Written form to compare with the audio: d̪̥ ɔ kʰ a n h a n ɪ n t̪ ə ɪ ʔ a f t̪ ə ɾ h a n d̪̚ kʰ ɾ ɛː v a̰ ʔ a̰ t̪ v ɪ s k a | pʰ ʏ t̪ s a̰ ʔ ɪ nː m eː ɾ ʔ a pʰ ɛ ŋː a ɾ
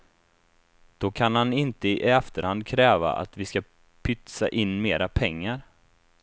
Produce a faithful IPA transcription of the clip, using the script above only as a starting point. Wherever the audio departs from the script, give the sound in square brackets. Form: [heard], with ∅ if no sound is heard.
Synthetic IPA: d̪̥ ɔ kʰ a n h a n ɪ n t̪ ə ɪ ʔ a f t̪ ə ɾ h a n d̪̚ kʰ ɾ ɛː v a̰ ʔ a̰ t̪ v ɪ s k a | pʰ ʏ t̪ s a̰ ʔ ɪ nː m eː ɾ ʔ a pʰ ɛ ŋː a ɾ